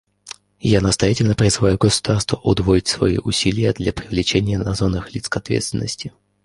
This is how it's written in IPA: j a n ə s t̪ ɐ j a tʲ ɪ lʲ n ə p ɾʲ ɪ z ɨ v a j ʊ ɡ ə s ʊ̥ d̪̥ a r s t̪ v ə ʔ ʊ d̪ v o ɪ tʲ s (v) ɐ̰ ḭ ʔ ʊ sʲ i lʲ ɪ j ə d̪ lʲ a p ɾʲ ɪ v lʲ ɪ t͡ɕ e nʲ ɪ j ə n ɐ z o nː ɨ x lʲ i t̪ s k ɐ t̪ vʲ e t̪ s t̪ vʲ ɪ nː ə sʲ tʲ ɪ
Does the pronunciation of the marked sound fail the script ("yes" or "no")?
no